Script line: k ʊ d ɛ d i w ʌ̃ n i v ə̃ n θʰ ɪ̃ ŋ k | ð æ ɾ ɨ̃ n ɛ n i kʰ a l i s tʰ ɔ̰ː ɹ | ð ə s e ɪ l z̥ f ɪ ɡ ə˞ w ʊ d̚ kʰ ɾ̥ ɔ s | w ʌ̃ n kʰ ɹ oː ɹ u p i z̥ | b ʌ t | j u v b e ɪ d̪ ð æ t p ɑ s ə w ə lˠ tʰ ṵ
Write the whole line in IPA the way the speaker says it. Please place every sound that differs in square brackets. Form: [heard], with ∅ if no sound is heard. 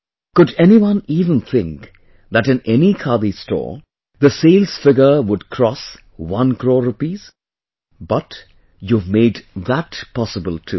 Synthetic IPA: k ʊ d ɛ [n] i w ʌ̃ n i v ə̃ n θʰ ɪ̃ ŋ k | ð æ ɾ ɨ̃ n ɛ n i kʰ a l i s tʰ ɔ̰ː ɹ | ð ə s e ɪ l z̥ f ɪ ɡ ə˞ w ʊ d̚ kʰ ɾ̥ ɔ s | w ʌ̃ n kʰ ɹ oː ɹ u p i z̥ | b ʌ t | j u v [m] e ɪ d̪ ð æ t p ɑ s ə [b] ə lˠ tʰ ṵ